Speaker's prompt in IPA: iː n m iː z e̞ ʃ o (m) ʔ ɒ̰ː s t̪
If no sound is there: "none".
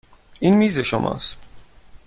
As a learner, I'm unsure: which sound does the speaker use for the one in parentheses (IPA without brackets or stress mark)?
m